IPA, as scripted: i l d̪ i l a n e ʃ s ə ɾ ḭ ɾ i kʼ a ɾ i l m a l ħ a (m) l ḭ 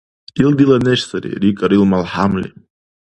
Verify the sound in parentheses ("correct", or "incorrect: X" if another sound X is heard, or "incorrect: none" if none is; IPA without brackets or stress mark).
correct